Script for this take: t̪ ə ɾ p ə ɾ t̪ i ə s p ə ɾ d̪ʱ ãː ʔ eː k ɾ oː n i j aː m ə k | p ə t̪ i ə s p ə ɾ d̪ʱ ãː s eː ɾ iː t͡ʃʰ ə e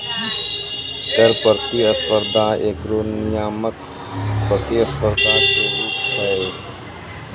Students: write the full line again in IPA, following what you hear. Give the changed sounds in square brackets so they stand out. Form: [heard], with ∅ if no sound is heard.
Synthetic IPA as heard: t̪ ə ɾ p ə ɾ t̪ i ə s p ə ɾ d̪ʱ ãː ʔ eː k ɾ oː n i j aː m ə k | p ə t̪ i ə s p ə ɾ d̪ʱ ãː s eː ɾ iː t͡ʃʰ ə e